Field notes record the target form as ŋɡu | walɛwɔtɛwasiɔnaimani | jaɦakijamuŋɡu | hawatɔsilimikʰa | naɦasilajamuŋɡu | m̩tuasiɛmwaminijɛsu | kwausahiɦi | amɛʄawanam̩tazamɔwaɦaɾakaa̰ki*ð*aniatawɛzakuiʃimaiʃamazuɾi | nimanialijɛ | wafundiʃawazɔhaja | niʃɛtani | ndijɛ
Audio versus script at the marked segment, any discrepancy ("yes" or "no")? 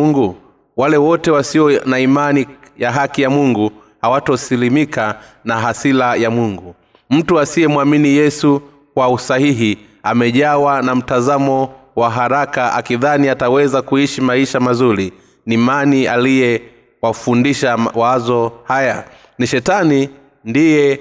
no